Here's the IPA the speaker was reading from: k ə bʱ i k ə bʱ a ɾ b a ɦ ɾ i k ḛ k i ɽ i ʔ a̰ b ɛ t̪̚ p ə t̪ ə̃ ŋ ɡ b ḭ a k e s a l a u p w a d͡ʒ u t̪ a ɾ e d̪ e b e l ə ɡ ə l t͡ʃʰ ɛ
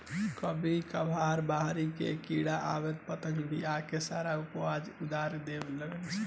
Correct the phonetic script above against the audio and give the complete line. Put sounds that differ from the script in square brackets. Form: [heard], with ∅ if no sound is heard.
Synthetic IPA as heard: k ə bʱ i k ə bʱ a ɾ b a ɦ ɾ i k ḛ k i ɽ [a] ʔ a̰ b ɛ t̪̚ p ə t̪ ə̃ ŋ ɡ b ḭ a k e s a [ɾ] a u p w a d͡ʒ u [d̪] a ɾ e d̪ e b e l ə ɡ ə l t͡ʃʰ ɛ

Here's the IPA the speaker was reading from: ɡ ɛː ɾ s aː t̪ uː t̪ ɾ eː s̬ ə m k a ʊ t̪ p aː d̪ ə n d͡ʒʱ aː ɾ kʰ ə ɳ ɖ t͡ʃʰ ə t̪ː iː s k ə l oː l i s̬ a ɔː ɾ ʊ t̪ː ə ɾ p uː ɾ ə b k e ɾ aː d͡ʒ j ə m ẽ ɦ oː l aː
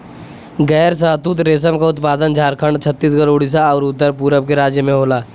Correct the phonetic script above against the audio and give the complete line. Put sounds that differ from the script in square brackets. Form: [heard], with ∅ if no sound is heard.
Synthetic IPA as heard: ɡ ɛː ɾ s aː t̪ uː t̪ ɾ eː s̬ ə m k a ʊ t̪ p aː d̪ ə n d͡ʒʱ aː ɾ kʰ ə ɳ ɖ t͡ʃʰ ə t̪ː iː s k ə [ɾ] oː [ɽ] i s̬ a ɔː ɾ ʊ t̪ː ə ɾ p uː ɾ ə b k e ɾ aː d͡ʒ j ə m ẽ ɦ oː l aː

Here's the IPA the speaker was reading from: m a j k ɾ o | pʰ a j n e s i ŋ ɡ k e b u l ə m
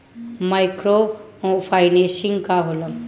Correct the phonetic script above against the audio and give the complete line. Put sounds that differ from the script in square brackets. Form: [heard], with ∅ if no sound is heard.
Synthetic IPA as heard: m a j k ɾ o | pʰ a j n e s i ŋ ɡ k [a] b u l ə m

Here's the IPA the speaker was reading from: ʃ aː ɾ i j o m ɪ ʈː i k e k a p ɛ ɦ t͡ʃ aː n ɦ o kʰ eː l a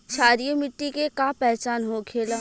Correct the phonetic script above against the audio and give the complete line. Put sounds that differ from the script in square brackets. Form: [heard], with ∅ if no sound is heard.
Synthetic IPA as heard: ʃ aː ɾ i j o m ɪ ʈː i k e k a p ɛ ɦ t͡ʃ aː n ɦ o kʰ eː l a

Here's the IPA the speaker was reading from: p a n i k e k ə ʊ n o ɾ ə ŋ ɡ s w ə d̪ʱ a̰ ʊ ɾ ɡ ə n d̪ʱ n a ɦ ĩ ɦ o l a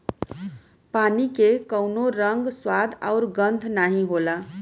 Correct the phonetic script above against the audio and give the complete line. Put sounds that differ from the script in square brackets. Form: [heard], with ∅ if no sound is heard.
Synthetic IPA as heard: p a n i k e k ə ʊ n o ɾ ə ŋ ɡ s w [a] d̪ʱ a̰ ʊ ɾ ɡ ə n d̪ʱ n a ɦ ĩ ɦ o l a

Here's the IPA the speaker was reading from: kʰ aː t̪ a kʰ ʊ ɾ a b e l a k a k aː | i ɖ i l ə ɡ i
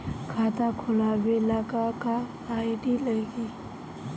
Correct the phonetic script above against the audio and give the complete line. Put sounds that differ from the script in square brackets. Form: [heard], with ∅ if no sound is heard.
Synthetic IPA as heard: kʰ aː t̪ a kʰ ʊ [l] a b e l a k a k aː | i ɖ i l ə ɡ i

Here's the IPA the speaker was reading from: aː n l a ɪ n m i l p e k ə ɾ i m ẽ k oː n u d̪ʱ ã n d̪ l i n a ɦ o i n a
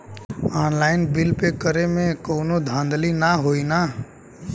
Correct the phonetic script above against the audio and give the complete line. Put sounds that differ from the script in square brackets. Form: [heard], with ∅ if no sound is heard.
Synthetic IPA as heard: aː n l a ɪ n [b] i l p e k ə ɾ [e] m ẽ k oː n [o] d̪ʱ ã n d̪ l i n a ɦ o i n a

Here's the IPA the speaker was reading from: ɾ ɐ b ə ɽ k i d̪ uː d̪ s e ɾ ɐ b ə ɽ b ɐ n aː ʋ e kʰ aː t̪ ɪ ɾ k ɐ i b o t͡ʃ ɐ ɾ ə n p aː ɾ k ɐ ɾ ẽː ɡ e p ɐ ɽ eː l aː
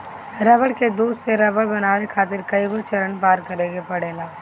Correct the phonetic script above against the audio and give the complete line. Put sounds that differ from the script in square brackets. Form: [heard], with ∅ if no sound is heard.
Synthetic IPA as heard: ɾ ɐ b ə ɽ k [e] d̪ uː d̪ s e ɾ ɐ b ə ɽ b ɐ n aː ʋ e kʰ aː t̪ ɪ ɾ k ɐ i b o t͡ʃ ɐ ɾ ə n p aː ɾ k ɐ ɾ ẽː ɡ e p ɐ ɽ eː l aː

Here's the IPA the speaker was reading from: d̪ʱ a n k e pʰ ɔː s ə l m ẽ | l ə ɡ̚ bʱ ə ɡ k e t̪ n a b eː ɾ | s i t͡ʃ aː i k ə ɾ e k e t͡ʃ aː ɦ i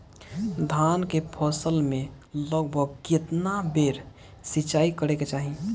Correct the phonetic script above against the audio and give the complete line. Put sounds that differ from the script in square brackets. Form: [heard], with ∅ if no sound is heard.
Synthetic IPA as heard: d̪ʱ a n k e pʰ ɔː s ə l m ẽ | l ə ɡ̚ bʱ ə ɡ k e t̪ n a b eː ɾ | s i t͡ʃ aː i k ə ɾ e k e t͡ʃ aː ɦ i

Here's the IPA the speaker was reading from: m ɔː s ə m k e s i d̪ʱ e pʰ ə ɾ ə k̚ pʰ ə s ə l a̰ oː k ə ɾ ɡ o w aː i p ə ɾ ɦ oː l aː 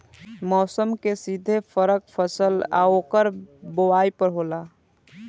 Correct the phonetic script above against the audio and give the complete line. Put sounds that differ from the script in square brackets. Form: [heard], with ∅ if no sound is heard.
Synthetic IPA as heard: m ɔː s ə m k e s i d̪ʱ e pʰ ə ɾ ə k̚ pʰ ə s ə l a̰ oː k ə ɾ [b] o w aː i p ə ɾ ɦ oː l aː

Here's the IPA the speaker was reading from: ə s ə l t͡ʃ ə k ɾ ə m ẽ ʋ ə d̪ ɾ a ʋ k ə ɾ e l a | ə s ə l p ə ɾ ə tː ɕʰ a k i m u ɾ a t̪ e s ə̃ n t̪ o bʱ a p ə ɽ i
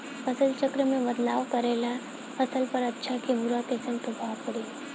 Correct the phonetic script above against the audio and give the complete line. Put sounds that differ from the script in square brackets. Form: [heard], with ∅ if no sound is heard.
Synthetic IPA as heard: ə s ə l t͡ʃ ə k ɾ ə m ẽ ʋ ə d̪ [l] a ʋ k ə ɾ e l a | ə s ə l p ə ɾ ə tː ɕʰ a k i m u ɾ a t̪ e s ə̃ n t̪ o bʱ a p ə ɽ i

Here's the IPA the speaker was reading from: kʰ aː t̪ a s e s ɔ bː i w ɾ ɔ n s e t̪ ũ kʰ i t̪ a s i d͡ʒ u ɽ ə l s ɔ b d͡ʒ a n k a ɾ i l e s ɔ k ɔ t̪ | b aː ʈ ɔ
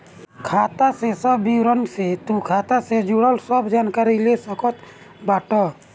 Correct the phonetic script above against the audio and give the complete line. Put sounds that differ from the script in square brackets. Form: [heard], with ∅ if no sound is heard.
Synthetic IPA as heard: kʰ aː t̪ a s e s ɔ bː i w ɾ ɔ n s e t̪ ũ kʰ [a] t̪ a s [e] d͡ʒ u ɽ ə l s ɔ b d͡ʒ a n k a ɾ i l e s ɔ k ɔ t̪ | b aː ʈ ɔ

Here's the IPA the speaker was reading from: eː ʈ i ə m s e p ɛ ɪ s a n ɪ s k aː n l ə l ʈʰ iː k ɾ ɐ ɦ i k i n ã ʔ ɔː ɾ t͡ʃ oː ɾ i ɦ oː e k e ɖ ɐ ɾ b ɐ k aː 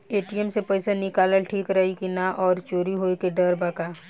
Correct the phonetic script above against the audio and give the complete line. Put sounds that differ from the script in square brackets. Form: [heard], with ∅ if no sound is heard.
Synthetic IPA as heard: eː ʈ i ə m s e p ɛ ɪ s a n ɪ [∅] k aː [∅] l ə l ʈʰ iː k ɾ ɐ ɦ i k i n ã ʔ ɔː ɾ t͡ʃ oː ɾ i ɦ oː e k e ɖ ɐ ɾ b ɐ k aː

